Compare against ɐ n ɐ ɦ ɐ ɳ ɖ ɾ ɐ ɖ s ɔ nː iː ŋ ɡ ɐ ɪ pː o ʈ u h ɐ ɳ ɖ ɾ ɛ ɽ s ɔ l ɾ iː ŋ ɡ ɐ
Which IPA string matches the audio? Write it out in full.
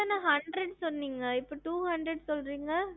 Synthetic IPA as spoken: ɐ n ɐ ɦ ɐ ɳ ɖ ɾ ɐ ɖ s ɔ nː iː ŋ ɡ ɐ ɪ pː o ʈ uː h ɐ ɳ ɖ ɾ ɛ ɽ s ɔ l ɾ iː ŋ ɡ ɐ